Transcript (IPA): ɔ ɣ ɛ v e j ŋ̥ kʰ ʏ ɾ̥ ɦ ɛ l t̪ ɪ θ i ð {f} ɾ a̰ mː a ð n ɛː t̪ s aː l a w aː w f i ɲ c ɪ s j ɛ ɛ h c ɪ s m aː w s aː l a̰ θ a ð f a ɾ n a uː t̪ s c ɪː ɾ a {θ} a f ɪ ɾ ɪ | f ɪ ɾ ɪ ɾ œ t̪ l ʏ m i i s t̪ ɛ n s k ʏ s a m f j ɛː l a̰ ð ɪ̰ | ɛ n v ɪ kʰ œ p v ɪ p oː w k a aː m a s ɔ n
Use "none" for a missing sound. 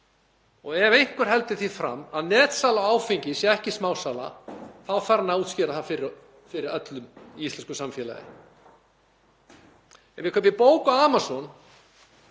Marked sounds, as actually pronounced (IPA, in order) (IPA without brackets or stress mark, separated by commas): f, θ